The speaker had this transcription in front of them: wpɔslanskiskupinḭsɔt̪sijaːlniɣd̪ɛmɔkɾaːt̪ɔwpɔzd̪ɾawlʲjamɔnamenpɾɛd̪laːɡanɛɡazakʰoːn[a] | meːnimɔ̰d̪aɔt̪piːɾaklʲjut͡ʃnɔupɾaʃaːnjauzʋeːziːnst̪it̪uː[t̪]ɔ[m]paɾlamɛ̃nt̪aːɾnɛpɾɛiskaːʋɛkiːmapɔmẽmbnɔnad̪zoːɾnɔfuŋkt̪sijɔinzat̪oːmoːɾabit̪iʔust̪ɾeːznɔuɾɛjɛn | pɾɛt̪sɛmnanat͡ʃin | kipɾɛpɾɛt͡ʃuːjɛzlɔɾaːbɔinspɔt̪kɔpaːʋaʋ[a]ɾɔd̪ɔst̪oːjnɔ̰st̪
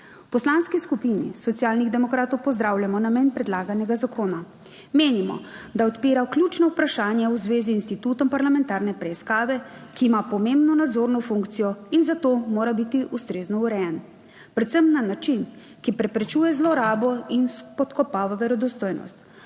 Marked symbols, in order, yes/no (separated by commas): yes, yes, yes, no